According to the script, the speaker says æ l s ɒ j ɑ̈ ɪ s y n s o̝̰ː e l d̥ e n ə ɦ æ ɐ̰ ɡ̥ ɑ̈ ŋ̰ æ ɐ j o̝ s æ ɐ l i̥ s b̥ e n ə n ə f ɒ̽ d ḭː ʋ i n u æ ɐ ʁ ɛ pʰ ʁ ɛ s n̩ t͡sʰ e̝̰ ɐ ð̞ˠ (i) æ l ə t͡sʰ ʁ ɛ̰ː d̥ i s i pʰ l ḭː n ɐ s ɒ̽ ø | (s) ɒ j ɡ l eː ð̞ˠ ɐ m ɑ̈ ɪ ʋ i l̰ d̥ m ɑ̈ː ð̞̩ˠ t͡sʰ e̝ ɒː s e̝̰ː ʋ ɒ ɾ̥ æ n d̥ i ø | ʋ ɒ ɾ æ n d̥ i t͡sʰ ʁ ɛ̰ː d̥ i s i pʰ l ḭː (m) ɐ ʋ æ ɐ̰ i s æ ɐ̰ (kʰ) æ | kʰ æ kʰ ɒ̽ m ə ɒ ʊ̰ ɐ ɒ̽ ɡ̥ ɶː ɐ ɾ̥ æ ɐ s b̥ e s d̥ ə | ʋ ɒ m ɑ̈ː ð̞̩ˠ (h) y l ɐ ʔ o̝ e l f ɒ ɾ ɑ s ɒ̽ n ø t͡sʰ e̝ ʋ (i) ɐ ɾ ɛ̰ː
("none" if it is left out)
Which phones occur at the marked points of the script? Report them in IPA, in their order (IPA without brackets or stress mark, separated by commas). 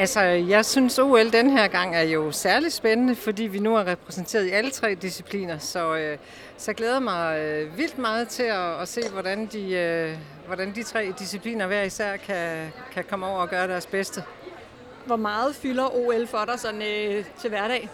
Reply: i, s, n, kʰ, f, æ